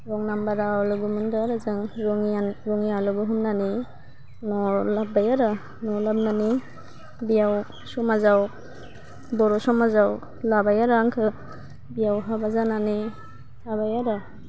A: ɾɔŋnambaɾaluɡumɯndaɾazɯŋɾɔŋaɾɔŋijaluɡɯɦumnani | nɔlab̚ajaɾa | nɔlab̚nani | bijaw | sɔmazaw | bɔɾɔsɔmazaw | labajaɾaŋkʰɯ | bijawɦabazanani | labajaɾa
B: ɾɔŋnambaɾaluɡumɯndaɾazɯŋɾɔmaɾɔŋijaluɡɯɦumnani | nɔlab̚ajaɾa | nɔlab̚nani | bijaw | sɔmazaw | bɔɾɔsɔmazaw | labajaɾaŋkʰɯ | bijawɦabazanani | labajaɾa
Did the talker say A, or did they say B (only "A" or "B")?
A